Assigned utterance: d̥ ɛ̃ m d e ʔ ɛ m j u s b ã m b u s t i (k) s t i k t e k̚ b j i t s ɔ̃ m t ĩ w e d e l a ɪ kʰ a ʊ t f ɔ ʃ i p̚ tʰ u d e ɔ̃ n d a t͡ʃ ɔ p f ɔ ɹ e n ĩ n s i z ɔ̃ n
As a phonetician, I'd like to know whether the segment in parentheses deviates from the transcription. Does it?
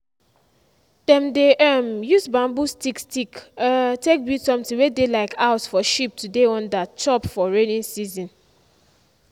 no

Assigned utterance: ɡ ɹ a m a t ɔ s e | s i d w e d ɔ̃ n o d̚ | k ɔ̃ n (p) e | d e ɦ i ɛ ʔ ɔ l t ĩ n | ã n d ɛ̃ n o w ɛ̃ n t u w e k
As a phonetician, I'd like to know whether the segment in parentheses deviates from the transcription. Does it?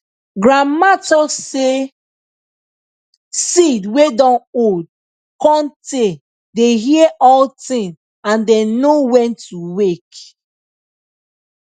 yes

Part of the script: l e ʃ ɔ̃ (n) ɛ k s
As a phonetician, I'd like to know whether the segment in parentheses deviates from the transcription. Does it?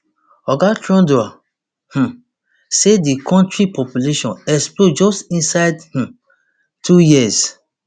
no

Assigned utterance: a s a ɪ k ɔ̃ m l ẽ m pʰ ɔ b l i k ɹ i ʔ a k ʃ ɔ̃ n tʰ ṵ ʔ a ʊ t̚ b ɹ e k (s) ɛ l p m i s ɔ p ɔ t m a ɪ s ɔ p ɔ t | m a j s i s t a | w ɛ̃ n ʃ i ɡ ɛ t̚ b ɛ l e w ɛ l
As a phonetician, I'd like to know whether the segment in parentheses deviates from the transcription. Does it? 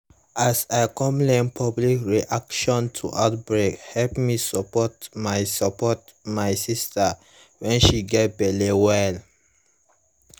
yes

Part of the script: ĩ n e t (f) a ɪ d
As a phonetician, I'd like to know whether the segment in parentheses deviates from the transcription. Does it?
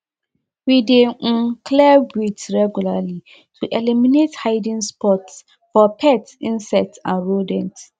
yes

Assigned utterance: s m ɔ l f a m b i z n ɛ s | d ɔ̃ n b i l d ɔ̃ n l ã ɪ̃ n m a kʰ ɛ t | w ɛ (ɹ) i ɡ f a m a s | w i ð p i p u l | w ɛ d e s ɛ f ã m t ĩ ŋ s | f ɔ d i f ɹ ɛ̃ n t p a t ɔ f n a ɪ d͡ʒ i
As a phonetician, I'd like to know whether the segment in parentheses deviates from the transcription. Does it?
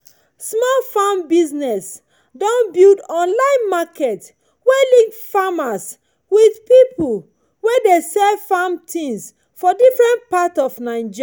yes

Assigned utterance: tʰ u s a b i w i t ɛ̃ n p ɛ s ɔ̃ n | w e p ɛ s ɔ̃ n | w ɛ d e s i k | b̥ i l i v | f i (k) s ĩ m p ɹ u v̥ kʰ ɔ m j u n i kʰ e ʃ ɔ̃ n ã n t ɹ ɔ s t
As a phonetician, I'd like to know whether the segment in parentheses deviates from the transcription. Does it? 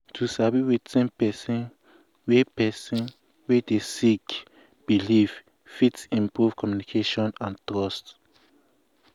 yes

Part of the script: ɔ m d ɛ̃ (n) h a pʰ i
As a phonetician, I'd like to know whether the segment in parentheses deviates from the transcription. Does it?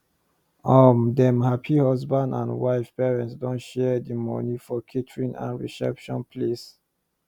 yes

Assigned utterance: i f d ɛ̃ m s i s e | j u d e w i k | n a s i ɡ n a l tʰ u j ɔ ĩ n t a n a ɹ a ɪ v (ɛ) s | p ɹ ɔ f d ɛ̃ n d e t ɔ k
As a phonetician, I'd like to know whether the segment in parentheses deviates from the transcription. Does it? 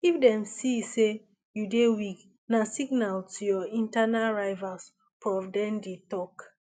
yes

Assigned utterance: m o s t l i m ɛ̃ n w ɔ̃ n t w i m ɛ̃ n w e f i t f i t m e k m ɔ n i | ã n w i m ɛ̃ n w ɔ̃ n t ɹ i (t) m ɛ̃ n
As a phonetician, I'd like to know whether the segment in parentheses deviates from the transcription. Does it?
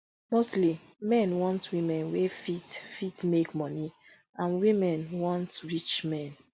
yes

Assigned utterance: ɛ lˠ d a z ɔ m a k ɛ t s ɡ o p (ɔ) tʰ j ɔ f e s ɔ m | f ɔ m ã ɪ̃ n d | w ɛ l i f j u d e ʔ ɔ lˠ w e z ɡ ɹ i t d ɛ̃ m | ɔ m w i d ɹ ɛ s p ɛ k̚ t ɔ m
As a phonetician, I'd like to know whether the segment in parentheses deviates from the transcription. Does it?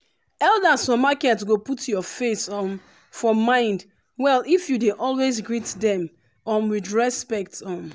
yes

